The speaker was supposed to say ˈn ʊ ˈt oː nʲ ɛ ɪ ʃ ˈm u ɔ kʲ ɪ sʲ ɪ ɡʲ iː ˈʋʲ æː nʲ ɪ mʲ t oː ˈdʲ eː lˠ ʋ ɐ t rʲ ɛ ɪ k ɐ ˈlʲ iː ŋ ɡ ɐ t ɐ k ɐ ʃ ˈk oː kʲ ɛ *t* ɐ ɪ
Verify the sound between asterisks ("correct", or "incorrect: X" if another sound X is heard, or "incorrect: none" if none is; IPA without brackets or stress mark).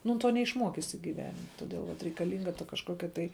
correct